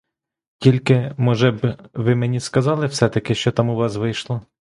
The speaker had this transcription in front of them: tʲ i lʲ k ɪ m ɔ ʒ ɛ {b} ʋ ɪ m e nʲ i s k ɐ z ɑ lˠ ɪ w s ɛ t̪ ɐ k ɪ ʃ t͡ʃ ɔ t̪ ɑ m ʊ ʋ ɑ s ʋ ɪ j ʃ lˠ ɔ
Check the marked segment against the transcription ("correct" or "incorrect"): correct